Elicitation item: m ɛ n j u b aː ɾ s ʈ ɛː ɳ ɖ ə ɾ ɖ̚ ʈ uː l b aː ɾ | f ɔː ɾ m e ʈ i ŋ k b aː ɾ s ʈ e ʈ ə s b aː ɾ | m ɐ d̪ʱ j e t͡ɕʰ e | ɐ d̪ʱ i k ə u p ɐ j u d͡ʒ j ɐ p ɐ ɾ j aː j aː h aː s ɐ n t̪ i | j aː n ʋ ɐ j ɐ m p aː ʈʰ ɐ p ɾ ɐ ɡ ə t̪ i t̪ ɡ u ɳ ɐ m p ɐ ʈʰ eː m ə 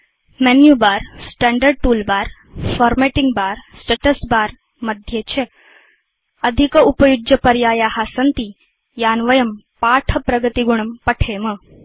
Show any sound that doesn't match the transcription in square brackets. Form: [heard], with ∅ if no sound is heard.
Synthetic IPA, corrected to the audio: m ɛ n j u b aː ɾ s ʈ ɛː ɳ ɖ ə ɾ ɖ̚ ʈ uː l b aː ɾ | f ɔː ɾ m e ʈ i ŋ [ɡ] b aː ɾ s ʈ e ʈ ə s b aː ɾ | m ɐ d̪ʱ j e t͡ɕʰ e | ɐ d̪ʱ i k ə u p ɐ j u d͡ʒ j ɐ p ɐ ɾ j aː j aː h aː s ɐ n t̪ i | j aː n ʋ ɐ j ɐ m p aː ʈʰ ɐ p ɾ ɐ ɡ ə t̪ i [∅] ɡ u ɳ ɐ m p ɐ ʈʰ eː m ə